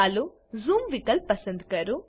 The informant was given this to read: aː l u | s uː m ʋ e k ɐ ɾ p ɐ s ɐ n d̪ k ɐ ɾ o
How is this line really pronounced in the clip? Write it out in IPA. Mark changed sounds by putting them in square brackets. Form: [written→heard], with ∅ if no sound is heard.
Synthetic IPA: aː l u | [s→z] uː m ʋ [e→i] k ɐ [ɾ→l] p ɐ s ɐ n d̪ k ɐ ɾ [o→u]